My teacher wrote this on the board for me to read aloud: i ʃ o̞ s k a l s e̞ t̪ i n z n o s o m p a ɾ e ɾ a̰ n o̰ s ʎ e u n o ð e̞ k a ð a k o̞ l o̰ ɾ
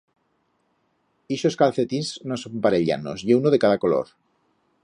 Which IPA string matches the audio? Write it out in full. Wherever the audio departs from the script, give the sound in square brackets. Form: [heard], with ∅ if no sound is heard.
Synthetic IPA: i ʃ o̞ s k a l [θ] e̞ t̪ i n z n o s o m p a ɾ e [ʎ] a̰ n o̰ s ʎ e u n o ð e̞ k a ð a k o̞ l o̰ ɾ